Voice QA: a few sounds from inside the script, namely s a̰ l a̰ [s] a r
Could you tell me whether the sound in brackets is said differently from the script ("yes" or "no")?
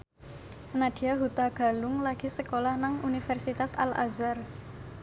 yes